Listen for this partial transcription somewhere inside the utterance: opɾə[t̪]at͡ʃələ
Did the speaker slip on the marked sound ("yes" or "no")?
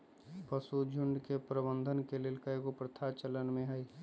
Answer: yes